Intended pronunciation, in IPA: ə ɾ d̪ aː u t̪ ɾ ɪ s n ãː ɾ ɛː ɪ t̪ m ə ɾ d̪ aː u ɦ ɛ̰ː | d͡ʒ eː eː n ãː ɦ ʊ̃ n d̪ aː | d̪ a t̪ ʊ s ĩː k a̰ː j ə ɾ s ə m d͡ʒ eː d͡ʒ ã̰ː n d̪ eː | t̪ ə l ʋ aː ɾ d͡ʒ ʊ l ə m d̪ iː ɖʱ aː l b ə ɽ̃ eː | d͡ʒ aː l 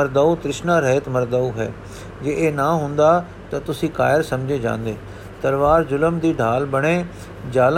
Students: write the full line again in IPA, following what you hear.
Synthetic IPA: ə ɾ d̪ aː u t̪ ɾ ɪ ʃ n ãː ɾ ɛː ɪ t̪ m ə ɾ d̪ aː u ɦ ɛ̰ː | d͡ʒ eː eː n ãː ɦ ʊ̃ n d̪ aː | t̪ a t̪ ʊ s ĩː k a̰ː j ə ɾ s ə m d͡ʒ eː d͡ʒ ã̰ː n d̪ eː | t̪ ə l ʋ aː ɾ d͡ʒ ʊ l ə m d̪ iː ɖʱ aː l b ə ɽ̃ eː | d͡ʒ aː l